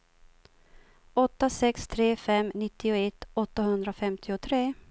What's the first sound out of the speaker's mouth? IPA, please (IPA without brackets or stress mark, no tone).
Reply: ɔ